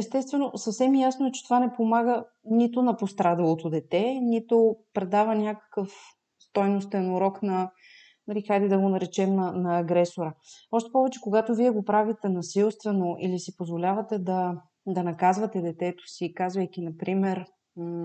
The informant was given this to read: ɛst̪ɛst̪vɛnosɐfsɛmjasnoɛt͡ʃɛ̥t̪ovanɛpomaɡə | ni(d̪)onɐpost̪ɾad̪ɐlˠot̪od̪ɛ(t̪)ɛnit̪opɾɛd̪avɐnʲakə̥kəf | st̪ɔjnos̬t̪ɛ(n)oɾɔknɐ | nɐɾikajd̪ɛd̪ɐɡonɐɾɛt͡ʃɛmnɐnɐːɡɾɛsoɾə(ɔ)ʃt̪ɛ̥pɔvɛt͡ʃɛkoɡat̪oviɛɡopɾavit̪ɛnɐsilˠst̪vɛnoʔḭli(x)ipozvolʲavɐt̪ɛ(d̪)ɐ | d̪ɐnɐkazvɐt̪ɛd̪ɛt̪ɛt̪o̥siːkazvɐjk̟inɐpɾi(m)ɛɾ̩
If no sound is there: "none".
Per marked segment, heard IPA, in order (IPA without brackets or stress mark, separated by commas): t̪, t̪, n, ɔ, s, d̪, m